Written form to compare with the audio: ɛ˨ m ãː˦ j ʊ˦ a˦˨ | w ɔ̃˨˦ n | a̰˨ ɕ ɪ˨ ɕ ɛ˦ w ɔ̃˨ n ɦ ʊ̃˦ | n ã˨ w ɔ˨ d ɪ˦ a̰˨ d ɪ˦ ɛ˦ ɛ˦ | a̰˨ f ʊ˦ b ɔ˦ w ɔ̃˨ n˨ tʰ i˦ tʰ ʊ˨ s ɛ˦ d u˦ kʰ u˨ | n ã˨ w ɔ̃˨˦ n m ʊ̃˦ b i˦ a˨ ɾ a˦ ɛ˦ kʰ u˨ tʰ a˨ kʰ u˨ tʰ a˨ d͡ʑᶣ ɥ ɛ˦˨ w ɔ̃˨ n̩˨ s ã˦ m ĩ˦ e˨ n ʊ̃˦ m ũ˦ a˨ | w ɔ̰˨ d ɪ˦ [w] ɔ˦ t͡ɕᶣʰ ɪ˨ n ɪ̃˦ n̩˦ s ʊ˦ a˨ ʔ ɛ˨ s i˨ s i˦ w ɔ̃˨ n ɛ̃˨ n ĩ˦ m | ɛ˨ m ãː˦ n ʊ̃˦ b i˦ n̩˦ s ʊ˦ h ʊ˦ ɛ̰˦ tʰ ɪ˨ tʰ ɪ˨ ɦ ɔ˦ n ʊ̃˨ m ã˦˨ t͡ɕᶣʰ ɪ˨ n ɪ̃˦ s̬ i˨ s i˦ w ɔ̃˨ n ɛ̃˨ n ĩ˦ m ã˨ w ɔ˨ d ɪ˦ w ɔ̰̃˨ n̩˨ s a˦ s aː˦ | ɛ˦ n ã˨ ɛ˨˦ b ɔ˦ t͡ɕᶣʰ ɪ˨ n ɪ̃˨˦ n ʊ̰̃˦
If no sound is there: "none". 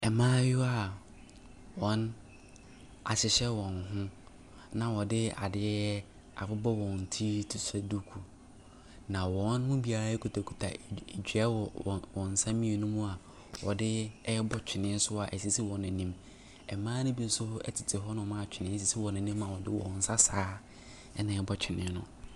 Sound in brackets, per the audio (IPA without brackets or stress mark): b